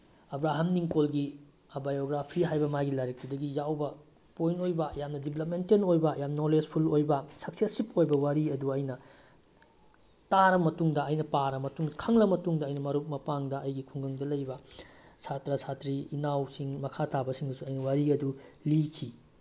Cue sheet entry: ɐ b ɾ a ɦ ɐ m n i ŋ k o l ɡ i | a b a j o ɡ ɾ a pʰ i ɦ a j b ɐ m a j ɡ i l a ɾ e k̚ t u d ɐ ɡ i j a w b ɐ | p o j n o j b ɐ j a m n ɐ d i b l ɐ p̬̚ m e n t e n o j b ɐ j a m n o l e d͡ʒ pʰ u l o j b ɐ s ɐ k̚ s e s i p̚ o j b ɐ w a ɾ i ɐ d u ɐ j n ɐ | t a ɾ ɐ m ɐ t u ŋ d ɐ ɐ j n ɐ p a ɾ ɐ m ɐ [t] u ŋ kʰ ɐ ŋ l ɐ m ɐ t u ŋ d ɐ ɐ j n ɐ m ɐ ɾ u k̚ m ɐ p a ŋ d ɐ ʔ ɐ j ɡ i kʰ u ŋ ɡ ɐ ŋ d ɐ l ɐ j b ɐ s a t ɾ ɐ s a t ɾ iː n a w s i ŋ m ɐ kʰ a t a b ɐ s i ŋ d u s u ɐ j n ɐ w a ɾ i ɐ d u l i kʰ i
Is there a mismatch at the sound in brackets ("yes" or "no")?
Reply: no